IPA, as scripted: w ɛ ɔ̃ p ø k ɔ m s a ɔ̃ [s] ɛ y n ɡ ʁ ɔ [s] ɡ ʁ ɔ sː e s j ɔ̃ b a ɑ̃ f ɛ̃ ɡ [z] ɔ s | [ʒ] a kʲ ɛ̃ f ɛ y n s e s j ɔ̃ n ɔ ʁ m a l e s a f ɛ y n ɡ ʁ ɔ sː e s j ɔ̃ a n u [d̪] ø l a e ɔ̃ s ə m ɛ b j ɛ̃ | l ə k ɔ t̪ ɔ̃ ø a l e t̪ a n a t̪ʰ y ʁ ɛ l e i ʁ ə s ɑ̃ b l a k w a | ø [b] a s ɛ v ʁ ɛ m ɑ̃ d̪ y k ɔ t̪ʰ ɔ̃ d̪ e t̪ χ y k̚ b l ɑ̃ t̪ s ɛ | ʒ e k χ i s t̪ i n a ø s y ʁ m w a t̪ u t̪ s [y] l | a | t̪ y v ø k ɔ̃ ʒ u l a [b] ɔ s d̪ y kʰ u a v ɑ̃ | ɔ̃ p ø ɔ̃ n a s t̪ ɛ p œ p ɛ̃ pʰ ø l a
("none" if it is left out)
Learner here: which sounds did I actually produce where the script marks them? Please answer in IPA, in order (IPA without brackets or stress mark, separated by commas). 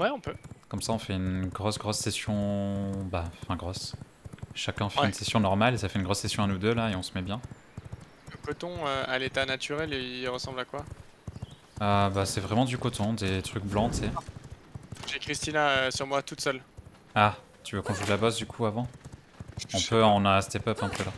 f, s, ʁ, ʃ, d̪, b, œ, b